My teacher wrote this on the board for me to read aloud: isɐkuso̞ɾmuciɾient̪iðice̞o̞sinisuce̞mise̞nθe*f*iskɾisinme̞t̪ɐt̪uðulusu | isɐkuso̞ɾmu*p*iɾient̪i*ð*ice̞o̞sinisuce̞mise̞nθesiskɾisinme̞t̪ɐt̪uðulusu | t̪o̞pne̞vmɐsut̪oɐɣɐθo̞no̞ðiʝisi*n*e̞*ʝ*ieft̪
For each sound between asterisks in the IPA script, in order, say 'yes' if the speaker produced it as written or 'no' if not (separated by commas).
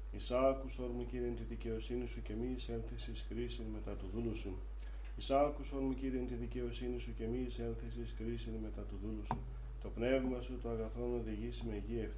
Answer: no, no, yes, no, yes